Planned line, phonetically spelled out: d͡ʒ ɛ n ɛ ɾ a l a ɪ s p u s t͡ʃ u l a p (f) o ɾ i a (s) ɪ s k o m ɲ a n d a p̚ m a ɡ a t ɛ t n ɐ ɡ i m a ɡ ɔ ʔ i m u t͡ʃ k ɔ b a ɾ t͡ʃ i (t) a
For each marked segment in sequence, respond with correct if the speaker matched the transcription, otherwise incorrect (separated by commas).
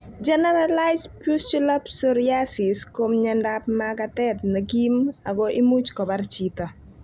incorrect, correct, correct